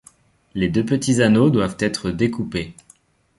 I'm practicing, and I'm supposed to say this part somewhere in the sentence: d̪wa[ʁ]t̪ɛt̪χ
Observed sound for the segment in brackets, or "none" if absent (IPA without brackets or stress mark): v